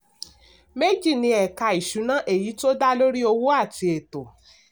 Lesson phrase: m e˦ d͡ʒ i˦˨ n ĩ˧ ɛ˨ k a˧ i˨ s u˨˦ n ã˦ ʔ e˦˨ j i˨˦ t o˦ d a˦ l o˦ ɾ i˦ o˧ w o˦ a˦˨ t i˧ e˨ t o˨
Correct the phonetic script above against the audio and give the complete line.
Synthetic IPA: m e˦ d͡ʒ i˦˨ n ĩ˧ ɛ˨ k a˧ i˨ ʃ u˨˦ n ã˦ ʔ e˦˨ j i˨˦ t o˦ d a˦ l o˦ ɾ i˦ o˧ w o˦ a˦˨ t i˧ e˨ t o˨